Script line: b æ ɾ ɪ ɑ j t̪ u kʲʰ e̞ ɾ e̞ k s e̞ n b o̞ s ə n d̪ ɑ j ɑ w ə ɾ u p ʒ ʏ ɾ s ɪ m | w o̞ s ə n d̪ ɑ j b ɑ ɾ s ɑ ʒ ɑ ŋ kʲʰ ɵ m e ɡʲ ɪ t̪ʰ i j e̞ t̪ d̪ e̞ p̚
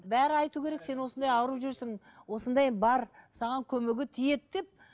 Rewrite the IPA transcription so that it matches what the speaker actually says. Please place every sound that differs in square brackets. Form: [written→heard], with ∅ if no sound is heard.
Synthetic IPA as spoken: b æ ɾ ɪ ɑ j t̪ u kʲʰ e̞ ɾ e̞ k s e̞ n [b→w] o̞ s ə n d̪ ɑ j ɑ w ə ɾ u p ʒ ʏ ɾ s ɪ [m→ŋ] | w o̞ s ə n d̪ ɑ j b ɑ ɾ s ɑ [ʒ→ʁ] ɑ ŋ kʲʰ ɵ m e ɡʲ ɪ t̪ʰ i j e̞ t̪ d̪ e̞ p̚